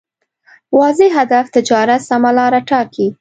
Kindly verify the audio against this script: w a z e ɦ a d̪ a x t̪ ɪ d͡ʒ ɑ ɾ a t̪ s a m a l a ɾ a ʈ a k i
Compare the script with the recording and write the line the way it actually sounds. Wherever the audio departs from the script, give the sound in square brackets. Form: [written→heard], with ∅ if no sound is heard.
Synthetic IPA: w [a→ɑ] z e ɦ a d̪ a [x→f] t̪ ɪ d͡ʒ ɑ ɾ a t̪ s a m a l [a→ɑ] ɾ a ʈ [a→ɑ] k i